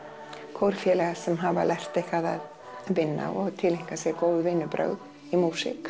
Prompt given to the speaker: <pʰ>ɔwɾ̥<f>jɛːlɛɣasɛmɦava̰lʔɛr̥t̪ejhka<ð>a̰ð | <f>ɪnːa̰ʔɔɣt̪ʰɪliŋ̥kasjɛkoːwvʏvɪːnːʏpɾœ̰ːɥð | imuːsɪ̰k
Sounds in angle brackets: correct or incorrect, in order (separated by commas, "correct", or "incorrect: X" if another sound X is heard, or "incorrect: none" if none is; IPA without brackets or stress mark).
incorrect: kʰ, correct, correct, incorrect: v